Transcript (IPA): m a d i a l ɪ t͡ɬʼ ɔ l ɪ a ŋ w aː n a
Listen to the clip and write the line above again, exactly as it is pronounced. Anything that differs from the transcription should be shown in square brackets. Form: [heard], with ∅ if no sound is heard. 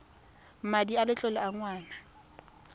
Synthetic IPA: m a d i a l ɪ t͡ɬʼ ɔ l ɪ a ŋ w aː n a